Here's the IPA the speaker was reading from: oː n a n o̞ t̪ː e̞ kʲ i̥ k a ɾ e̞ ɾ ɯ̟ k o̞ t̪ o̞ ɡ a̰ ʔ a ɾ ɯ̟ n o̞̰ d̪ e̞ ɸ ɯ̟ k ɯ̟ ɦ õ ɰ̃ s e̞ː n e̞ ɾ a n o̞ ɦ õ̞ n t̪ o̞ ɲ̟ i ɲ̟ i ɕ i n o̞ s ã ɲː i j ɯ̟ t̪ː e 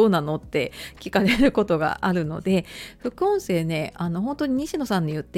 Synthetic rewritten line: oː n a n o̞ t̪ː e̞ kʲ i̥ k a ɾ e̞ ɾ ɯ̟ k o̞ t̪ o̞ ɡ a̰ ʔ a ɾ ɯ̟ n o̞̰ d̪ e̞ ɸ ɯ̟ k ɯ̟ õ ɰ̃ s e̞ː n e̞ a n o̞ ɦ õ̞ n t̪ o̞ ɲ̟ i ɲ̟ i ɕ i n o̞ s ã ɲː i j ɯ̟ t̪ː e